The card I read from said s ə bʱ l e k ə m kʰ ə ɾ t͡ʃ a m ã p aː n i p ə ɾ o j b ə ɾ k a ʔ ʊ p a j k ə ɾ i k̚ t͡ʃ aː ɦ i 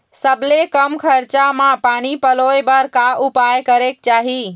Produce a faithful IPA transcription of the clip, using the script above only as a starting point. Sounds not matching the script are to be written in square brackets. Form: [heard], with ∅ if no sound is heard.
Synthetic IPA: s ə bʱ l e k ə m kʰ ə ɾ t͡ʃ a m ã p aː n i p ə [l] o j b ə ɾ k a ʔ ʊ p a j k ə ɾ [e] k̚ t͡ʃ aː ɦ i